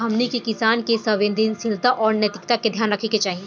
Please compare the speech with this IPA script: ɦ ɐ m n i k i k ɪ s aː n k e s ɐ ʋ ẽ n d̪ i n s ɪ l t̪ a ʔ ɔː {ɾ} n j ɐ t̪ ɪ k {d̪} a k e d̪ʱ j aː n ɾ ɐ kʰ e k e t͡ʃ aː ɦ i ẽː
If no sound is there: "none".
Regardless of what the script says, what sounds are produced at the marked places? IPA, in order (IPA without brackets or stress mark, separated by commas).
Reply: ɾ, t̪